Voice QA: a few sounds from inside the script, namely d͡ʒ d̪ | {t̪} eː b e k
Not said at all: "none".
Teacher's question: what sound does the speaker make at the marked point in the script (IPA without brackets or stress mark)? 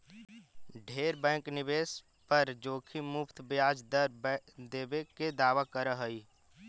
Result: d̪